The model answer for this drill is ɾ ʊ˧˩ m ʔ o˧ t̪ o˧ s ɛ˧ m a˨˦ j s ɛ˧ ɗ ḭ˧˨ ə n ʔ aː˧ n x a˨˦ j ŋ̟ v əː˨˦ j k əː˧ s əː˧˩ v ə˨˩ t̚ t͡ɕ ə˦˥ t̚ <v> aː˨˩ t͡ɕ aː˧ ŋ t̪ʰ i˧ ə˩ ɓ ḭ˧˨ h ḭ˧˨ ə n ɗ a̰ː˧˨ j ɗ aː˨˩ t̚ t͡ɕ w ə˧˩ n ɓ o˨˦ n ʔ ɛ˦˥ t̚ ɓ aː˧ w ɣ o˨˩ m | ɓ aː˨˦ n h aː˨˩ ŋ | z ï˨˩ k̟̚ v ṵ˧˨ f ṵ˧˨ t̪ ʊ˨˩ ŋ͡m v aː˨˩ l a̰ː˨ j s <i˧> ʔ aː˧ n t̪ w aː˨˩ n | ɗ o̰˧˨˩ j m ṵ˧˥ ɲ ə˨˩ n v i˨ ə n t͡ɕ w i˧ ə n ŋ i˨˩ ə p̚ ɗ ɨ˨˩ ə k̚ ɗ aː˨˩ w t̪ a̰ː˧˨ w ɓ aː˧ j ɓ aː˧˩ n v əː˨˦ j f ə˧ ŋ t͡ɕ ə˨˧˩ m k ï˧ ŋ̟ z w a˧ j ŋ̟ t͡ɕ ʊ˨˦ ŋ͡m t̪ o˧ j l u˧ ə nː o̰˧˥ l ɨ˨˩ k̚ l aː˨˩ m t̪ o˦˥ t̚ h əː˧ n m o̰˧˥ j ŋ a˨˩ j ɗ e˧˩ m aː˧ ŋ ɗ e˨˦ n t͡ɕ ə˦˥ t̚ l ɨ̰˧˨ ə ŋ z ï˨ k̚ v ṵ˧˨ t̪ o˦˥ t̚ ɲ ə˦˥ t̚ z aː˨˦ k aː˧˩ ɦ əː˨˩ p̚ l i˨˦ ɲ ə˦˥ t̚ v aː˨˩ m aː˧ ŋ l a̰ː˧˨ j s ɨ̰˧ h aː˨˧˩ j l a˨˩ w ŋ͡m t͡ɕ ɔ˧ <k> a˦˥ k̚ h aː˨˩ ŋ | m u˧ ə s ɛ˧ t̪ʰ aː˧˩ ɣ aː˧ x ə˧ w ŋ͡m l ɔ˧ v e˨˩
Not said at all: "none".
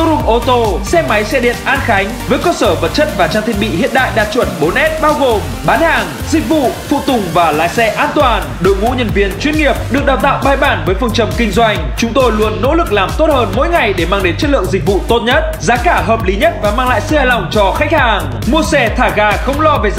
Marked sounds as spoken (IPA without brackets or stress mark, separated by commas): v, ɛ˧, x